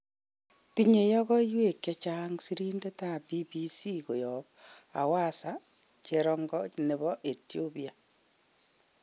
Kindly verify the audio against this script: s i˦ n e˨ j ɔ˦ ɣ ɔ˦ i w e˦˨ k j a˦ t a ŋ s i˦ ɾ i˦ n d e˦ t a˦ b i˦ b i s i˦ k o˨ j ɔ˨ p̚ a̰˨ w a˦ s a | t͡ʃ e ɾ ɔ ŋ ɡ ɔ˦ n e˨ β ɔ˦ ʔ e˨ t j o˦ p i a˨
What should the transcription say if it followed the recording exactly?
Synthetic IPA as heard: t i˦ ɲ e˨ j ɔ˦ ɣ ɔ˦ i w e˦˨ k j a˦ t͡ʃ a ŋ s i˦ ɾ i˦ n d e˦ t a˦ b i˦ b i s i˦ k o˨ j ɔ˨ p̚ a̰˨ w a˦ s a | t͡ʃ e ɾ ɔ ŋ ɡ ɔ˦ n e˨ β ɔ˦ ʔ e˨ t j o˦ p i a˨